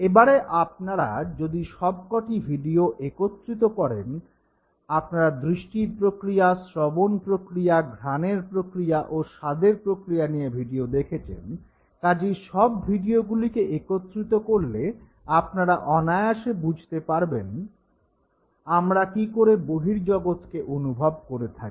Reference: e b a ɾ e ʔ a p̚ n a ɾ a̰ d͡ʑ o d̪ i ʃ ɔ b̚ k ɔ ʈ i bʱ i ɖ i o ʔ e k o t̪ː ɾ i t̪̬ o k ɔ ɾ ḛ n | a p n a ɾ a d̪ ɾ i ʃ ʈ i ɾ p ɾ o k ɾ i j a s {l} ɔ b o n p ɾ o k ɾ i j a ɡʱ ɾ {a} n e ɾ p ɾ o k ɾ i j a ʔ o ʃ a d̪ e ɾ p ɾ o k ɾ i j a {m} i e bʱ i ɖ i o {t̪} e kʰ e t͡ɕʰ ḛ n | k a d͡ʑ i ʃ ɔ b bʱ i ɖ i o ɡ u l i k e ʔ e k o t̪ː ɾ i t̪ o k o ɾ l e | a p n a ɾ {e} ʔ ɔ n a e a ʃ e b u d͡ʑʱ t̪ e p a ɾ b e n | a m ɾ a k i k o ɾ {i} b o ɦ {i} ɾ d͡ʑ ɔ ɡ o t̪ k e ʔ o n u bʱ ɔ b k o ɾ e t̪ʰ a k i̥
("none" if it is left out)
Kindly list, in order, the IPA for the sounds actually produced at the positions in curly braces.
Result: ɾ, a, n, d̪, a, e, i

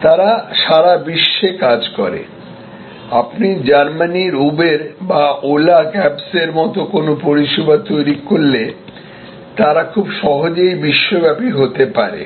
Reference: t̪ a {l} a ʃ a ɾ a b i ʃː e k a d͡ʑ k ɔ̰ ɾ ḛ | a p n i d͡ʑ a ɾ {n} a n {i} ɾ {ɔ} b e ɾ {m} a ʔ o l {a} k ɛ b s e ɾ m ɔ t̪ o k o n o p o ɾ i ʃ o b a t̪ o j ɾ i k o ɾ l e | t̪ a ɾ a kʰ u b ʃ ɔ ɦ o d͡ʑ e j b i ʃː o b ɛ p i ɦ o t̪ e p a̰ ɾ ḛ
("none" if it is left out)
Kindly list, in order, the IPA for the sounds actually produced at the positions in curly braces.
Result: ɾ, m, i, u, b, a

